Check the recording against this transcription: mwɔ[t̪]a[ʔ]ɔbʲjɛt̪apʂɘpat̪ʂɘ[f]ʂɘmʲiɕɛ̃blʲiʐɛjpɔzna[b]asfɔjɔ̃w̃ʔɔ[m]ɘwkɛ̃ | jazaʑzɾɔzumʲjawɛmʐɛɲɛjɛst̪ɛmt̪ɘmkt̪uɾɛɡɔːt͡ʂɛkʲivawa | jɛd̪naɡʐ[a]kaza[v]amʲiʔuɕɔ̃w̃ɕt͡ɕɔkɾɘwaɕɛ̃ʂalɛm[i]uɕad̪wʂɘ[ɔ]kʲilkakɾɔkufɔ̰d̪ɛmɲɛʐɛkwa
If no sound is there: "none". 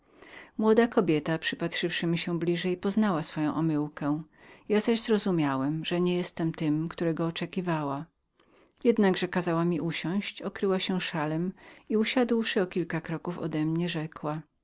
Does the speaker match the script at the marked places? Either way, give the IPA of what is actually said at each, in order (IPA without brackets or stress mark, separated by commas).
d̪, k, f, w, m, ɛ, w, i, ɔ